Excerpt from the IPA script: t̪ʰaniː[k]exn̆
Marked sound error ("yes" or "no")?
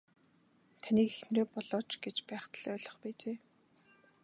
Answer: no